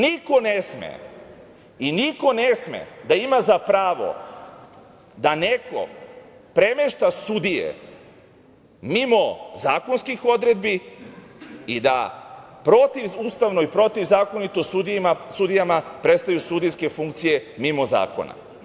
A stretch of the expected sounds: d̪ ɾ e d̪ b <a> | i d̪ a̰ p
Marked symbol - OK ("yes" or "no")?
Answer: no